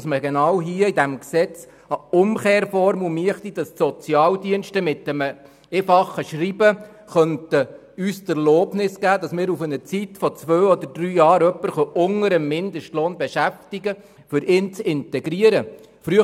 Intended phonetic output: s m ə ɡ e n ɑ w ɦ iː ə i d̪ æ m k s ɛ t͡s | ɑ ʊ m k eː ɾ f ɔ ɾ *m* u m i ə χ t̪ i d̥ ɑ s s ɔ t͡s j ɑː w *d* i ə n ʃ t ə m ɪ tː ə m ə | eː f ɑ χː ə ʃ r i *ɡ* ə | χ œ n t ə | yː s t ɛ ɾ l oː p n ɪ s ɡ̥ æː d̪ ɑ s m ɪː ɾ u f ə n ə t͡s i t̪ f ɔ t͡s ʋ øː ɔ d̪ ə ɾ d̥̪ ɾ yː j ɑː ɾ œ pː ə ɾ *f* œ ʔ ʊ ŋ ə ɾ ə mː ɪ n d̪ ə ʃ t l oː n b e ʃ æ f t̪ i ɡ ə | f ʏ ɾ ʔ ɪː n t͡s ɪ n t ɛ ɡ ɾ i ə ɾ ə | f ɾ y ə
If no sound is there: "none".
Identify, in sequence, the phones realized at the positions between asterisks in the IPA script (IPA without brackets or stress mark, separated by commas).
m, d, b, χ